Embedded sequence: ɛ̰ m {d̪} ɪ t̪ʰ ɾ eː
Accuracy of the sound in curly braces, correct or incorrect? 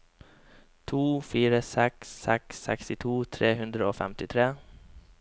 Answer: incorrect